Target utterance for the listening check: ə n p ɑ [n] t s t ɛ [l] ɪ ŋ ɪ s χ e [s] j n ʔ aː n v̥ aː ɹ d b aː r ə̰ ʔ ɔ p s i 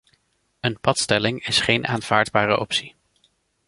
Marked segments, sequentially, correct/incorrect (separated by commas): incorrect, correct, incorrect